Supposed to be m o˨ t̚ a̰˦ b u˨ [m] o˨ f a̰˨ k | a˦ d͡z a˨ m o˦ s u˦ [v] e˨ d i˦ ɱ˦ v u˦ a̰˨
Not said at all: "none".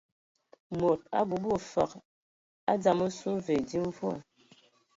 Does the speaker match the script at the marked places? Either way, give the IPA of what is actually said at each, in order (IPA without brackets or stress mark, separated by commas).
b, v